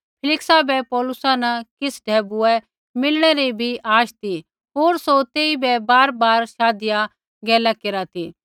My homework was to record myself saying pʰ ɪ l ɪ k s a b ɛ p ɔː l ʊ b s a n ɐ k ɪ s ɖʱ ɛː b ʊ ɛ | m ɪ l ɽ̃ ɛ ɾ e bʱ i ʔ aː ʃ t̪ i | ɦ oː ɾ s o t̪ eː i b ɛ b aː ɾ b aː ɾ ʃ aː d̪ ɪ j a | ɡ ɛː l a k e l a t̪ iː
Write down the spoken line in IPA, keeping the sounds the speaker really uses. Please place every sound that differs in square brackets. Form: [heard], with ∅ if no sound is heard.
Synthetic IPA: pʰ ɪ l ɪ k s a b ɛ p ɔː l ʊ [∅] s a n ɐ k ɪ s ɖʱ ɛː b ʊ ɛ | m ɪ l ɽ̃ ɛ ɾ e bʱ i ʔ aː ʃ t̪ i | ɦ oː ɾ s o t̪ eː i b ɛ b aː ɾ b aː ɾ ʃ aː d̪ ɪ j a | ɡ ɛː l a k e [ɾ] a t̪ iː

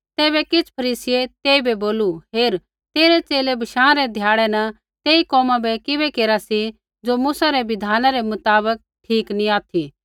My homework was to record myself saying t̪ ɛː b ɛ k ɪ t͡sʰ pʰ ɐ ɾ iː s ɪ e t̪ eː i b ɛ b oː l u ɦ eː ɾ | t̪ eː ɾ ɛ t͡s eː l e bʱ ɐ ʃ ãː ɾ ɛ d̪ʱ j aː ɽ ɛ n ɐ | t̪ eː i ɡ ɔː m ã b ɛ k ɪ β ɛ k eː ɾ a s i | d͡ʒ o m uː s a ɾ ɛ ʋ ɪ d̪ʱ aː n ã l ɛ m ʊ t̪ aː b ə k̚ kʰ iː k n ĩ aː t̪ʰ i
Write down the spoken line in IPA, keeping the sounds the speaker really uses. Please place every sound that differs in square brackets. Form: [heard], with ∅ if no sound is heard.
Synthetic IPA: t̪ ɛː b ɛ k ɪ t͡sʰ pʰ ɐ ɾ iː s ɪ e t̪ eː i b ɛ b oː l u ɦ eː ɾ | t̪ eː ɾ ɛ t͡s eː l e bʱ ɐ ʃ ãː ɾ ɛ d̪ʱ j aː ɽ ɛ n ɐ | t̪ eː i [k] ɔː m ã b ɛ k ɪ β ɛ k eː ɾ a s i | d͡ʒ o m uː s a ɾ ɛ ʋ ɪ d̪ʱ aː n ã [ɾ] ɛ m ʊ t̪ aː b ə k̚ [ʈʰ] iː k n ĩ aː t̪ʰ i

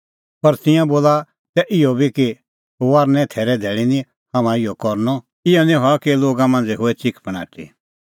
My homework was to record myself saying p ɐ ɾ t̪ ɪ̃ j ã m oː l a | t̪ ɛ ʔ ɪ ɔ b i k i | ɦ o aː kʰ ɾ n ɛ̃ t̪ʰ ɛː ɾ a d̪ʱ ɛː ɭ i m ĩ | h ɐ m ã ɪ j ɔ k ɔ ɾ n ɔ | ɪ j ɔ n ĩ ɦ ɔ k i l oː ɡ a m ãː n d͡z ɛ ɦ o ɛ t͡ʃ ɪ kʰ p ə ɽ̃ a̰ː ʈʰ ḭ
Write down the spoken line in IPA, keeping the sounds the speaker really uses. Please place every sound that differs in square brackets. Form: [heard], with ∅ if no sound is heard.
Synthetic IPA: p ɐ ɾ t̪ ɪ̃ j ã [b] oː l a | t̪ ɛ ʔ ɪ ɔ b i k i | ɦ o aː [∅] ɾ n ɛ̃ t̪ʰ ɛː ɾ [ɛ] d̪ʱ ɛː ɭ i [n] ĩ | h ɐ m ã ɪ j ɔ k ɔ ɾ n ɔ | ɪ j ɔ n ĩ ɦ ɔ k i l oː ɡ a m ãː n d͡z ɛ ɦ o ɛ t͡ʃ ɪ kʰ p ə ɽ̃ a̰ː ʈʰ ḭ

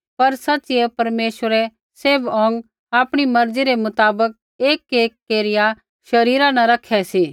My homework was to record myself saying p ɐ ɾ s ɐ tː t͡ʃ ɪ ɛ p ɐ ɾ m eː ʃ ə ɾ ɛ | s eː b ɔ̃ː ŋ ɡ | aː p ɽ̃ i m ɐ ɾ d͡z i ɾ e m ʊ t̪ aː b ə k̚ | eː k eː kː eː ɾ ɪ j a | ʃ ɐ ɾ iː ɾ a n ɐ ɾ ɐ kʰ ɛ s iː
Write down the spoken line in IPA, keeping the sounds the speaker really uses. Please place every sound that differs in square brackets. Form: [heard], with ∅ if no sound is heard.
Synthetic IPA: p ɐ ɾ s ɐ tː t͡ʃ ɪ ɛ p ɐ ɾ m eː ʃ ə ɾ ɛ | s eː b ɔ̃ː ŋ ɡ | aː p ɽ̃ i m ɐ ɾ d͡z i ɾ e m ʊ t̪ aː b ə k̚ | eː k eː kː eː ɾ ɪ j a | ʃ ɐ ɾ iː ɾ a n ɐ ɾ ɐ kʰ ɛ s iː

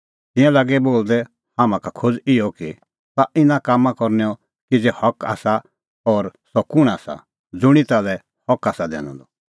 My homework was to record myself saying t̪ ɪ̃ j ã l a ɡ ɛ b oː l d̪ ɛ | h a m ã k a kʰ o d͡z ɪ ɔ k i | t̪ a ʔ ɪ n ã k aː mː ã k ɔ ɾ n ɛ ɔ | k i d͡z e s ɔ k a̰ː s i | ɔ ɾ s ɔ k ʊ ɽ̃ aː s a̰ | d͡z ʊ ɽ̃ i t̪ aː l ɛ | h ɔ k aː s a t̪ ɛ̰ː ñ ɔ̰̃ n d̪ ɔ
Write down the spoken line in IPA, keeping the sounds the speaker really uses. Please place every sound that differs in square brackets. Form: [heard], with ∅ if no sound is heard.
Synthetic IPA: t̪ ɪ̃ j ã l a ɡ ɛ b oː l d̪ ɛ | h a m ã k a kʰ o d͡z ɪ ɔ k i | t̪ a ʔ ɪ n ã k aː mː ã k ɔ ɾ n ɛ ɔ | k i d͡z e [h] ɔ k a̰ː s [a] | ɔ ɾ s ɔ k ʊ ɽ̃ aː s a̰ | d͡z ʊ ɽ̃ i t̪ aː l ɛ | h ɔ k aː s a [d̪] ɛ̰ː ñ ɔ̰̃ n d̪ ɔ

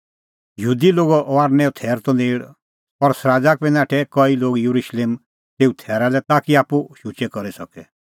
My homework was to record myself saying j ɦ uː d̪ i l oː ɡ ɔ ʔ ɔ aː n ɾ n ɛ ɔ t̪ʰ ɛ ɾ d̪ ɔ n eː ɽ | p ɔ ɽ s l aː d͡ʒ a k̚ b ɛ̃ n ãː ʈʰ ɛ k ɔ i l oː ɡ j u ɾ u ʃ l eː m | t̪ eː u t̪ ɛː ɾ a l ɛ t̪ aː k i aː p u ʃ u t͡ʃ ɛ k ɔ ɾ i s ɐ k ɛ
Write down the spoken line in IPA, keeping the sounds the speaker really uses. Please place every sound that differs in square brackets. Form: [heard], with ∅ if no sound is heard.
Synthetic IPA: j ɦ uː d̪ i l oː ɡ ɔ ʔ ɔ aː [∅] ɾ n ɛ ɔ t̪ʰ [ɛː] ɾ [t̪] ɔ n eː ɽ | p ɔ [ɾ] s [ɾ] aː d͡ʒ a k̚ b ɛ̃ n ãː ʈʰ ɛ k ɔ i l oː ɡ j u ɾ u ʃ l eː m | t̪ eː u [t̪ʰ] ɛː ɾ a l ɛ t̪ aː k i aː p u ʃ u t͡ʃ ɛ k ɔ ɾ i s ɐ k ɛ

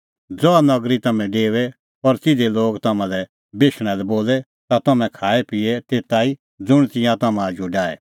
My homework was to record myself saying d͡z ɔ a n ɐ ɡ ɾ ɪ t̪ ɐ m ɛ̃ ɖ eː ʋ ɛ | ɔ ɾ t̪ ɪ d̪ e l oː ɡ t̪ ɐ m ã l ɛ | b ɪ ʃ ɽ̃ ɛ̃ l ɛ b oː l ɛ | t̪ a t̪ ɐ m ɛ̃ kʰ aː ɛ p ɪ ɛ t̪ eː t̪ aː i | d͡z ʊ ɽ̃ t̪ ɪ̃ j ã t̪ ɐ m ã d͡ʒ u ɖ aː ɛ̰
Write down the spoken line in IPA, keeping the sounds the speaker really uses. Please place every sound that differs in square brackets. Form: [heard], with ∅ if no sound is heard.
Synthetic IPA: d͡z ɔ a n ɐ ɡ ɾ [i] t̪ ɐ m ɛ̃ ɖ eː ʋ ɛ | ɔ ɾ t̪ ɪ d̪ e l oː ɡ t̪ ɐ m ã l ɛ | b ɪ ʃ ɽ̃ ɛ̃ l ɛ b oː l ɛ | t̪ a t̪ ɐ m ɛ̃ kʰ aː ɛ p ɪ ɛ t̪ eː t̪ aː i | d͡z ʊ ɽ̃ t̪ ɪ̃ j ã t̪ ɐ m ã d͡ʒ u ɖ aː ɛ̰

